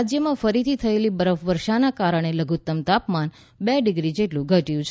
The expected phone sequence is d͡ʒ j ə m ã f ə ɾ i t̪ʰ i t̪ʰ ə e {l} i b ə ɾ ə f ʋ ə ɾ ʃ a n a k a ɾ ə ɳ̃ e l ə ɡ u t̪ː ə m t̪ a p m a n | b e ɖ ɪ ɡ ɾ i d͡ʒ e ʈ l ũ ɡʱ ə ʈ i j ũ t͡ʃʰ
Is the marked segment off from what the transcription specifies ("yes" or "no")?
no